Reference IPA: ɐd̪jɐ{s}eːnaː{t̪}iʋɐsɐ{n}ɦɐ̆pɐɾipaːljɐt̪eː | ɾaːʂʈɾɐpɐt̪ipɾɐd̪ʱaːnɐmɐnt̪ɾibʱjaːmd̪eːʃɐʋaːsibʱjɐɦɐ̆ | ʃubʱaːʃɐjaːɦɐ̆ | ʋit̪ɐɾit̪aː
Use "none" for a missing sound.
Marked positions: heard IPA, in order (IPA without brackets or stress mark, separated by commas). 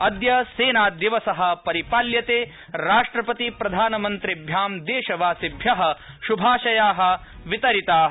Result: s, d̪, none